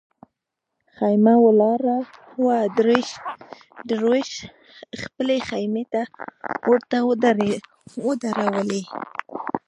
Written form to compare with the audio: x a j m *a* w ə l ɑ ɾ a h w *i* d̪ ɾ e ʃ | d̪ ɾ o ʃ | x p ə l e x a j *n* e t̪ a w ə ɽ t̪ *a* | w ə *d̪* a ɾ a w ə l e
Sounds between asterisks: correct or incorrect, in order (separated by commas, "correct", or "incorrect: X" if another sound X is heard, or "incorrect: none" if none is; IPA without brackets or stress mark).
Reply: correct, incorrect: a, incorrect: m, correct, correct